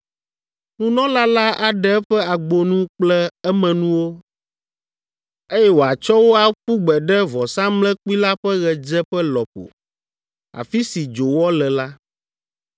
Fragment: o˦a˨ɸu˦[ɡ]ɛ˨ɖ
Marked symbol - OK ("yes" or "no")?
no